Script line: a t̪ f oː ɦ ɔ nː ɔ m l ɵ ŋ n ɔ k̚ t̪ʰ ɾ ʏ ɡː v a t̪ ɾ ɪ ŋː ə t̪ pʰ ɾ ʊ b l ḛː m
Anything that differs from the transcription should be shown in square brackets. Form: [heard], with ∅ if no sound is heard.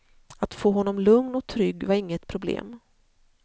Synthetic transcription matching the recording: a t̪ f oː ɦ ɔ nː ɔ m l ɵ ŋ n ɔ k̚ t̪ʰ ɾ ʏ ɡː v a [∅] ɾ ɪ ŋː ə t̪ pʰ ɾ ʊ b l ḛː m